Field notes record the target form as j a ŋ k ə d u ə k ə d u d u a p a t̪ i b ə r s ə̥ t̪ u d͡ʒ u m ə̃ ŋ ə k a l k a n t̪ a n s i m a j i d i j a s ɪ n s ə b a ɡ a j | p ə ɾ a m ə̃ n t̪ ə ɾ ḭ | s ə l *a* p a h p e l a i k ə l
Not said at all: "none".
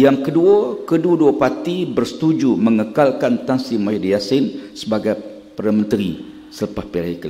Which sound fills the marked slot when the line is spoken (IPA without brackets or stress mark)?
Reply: ə